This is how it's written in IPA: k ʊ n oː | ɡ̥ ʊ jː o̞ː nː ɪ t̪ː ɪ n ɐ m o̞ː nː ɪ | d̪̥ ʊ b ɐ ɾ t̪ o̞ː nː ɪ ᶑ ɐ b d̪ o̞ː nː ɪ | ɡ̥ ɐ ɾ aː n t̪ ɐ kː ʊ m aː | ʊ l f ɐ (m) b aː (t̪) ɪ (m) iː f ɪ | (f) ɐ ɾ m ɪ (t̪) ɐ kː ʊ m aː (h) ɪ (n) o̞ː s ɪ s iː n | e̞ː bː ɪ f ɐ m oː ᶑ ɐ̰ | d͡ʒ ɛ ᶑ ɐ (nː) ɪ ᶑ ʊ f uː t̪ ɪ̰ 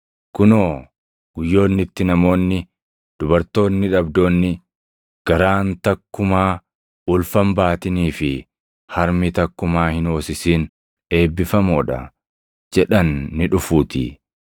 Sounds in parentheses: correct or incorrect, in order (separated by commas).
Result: correct, correct, incorrect, incorrect, correct, correct, correct, correct